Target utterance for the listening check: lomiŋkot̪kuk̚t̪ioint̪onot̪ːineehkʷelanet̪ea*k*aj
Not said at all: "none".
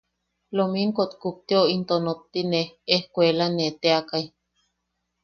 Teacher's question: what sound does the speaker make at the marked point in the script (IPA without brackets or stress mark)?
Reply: k